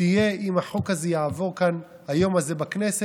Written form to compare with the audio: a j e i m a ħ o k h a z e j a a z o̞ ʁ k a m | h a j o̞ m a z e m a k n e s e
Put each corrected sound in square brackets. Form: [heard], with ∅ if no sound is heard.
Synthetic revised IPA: [i] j e i m a ħ o k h a z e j a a [v] o̞ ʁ k a [n] | h a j o̞ m a z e [b] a k n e s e